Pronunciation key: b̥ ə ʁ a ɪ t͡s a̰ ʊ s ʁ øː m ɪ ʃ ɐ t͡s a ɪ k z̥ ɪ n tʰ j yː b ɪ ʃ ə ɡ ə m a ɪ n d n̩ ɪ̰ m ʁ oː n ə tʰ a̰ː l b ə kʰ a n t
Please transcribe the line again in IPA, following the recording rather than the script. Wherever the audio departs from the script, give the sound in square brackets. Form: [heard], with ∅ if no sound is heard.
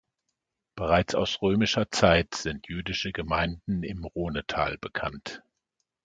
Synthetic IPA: b̥ ə ʁ a ɪ t͡s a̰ ʊ s ʁ øː m ɪ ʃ ɐ t͡s a ɪ [t] z̥ ɪ n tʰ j yː [d] ɪ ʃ ə ɡ ə m a ɪ n d n̩ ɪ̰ m ʁ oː n ə tʰ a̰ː l b ə kʰ a n t